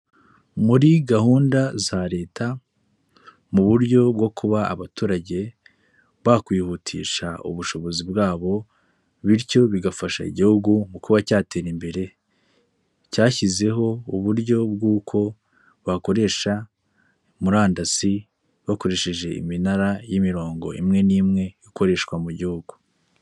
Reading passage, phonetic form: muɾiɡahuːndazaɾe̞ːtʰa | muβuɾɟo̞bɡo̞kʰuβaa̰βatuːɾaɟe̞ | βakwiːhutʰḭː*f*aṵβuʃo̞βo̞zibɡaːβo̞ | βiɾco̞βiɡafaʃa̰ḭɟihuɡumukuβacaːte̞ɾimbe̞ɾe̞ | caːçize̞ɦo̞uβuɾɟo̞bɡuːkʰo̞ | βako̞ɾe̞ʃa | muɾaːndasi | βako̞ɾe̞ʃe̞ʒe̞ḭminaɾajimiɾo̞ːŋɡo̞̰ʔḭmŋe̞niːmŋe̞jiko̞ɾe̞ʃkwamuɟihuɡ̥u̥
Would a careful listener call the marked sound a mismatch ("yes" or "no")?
yes